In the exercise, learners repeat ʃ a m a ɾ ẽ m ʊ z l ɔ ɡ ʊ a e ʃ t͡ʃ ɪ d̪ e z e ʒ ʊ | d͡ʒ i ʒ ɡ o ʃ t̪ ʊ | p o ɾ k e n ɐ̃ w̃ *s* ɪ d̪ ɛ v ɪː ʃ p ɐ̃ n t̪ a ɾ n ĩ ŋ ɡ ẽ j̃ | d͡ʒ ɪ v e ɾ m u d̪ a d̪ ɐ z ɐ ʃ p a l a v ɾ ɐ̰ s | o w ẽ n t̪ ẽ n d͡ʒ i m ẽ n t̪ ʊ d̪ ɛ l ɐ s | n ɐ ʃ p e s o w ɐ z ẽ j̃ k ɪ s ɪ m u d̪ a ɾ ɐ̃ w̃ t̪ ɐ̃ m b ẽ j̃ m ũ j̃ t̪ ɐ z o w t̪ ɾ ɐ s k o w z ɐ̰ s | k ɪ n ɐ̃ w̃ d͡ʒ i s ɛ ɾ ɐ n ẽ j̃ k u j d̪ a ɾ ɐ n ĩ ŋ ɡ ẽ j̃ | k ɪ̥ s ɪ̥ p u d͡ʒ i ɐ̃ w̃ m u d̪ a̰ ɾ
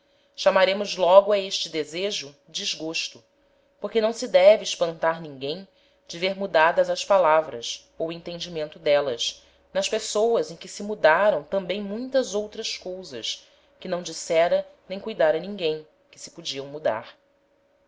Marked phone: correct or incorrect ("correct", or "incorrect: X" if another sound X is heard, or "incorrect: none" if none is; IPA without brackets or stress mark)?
correct